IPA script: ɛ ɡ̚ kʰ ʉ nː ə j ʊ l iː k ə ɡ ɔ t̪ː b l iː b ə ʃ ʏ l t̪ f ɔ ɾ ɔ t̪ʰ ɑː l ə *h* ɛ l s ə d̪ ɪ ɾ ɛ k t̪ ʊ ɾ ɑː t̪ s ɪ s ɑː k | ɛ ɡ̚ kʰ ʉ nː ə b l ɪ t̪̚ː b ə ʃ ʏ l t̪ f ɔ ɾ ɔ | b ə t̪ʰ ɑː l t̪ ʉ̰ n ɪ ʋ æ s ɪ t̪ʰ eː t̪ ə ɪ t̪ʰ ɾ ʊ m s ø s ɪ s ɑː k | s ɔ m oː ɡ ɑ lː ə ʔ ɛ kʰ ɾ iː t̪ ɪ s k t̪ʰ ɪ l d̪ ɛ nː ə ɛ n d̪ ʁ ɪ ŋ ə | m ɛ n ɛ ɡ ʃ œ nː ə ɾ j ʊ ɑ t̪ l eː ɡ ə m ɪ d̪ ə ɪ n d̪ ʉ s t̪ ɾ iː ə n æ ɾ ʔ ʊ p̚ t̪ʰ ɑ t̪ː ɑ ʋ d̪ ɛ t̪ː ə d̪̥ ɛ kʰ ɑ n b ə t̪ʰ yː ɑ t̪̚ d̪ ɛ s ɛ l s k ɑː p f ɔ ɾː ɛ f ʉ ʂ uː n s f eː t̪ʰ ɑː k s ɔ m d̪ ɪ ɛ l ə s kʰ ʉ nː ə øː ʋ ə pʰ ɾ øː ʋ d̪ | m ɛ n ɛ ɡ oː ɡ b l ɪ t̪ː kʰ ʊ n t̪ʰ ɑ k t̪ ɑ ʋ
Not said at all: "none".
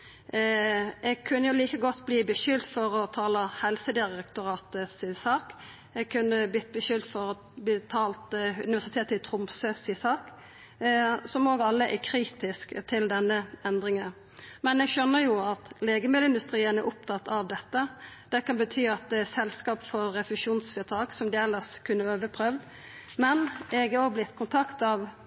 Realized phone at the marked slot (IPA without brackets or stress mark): h